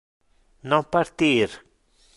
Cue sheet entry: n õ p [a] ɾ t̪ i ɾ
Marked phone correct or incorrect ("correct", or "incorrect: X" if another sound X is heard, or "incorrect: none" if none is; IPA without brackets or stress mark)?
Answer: correct